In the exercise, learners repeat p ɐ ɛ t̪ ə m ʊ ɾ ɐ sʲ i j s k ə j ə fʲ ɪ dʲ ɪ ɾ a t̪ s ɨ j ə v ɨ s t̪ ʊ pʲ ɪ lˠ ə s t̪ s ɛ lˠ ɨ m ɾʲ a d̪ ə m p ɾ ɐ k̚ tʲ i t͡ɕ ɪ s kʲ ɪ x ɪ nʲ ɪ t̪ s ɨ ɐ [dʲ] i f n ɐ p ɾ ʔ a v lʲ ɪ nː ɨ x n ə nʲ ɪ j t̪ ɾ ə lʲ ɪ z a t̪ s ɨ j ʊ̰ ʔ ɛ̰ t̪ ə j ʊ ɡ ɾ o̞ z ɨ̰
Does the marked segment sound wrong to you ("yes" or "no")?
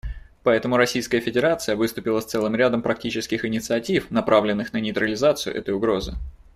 yes